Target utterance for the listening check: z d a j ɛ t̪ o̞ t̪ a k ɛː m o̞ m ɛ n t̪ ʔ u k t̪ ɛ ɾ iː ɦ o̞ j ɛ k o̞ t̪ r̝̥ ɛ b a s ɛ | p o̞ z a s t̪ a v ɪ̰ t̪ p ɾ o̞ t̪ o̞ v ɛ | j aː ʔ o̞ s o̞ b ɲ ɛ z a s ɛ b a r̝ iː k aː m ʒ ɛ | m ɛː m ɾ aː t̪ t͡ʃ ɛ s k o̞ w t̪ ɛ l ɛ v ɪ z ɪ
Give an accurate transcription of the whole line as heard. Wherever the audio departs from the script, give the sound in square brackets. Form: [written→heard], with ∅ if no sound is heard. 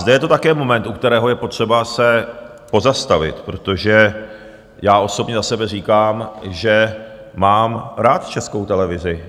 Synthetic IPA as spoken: z d [a→ɛ] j ɛ t̪ o̞ t̪ a k ɛː m o̞ m ɛ n t̪ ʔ u k t̪ ɛ ɾ [iː→ɛː] ɦ o̞ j ɛ [k→p] o̞ t̪ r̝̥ ɛ b a s ɛ | p o̞ z a s t̪ a v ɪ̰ t̪ p ɾ o̞ t̪ o̞ [v→ʒ] ɛ | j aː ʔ o̞ s o̞ b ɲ ɛ z a s ɛ b [a→ɛ] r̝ iː k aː m ʒ ɛ | m [ɛː→aː] m ɾ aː t̪ t͡ʃ ɛ s k o̞ w t̪ ɛ l ɛ v ɪ z ɪ